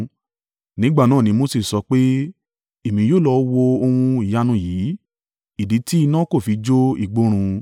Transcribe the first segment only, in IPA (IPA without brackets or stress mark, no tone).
n